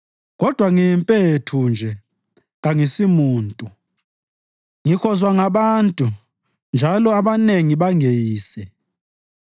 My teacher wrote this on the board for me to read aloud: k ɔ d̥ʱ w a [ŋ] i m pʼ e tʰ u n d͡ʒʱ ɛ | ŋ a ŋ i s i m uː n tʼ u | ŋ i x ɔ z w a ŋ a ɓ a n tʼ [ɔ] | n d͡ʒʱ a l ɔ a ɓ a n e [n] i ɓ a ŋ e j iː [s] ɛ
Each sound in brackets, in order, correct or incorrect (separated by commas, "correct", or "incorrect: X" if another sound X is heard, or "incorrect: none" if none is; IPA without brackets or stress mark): correct, incorrect: u, incorrect: ŋ, correct